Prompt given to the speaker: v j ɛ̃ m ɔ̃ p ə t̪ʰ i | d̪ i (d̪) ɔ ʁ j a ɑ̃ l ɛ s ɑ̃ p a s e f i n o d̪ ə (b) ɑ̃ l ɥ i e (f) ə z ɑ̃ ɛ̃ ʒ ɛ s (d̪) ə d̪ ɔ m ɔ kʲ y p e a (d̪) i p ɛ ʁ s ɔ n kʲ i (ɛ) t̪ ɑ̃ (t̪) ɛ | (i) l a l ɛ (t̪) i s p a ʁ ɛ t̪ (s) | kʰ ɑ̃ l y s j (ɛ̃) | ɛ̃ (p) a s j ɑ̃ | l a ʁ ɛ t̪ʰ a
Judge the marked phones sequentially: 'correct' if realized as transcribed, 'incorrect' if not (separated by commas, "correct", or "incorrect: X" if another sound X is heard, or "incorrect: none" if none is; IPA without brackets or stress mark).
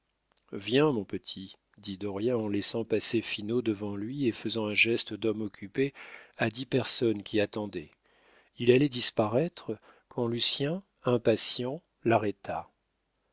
correct, incorrect: v, correct, incorrect: t̪, correct, incorrect: a, incorrect: d̪, correct, incorrect: d̪, incorrect: χ, correct, correct